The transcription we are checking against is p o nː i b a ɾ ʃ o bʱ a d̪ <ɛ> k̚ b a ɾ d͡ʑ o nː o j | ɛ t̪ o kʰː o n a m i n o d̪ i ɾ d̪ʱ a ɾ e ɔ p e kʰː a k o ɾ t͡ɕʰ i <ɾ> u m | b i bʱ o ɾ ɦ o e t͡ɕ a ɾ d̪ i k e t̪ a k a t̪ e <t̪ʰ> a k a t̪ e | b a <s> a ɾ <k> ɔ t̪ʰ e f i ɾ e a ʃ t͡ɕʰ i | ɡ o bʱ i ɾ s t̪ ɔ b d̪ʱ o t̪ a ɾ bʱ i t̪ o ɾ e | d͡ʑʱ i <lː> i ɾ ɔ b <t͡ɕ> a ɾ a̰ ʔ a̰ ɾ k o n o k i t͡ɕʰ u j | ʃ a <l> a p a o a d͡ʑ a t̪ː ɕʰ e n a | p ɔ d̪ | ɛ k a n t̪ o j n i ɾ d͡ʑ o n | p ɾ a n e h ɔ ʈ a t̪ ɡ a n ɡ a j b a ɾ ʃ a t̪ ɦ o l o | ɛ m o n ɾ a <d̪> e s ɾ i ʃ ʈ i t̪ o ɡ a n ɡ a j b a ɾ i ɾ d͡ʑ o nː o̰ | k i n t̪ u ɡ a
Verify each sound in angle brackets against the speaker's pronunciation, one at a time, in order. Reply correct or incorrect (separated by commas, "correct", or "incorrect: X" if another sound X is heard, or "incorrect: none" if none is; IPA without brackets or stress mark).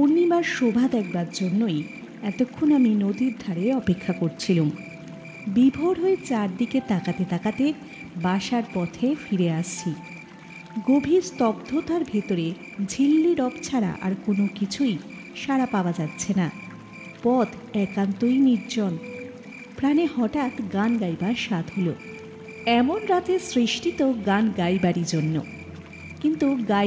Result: correct, incorrect: l, incorrect: t̪, incorrect: ʃ, incorrect: p, correct, incorrect: t͡ɕʰ, incorrect: ɾ, incorrect: t̪